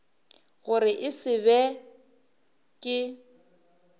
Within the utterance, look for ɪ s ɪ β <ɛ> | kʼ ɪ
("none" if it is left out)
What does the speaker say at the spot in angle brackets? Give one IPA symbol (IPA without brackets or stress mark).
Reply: ɛ